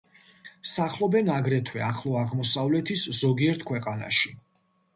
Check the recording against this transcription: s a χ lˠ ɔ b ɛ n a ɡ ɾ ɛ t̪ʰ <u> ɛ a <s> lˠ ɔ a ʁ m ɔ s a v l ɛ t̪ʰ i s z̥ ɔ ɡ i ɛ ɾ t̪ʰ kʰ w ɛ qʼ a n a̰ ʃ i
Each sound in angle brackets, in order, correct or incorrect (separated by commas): incorrect, incorrect